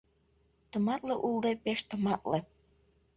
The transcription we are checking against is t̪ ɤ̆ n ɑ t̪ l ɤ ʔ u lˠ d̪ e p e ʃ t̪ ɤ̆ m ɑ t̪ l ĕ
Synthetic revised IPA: t̪ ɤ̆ m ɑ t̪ l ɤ ʔ u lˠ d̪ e p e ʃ t̪ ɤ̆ m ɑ t̪ l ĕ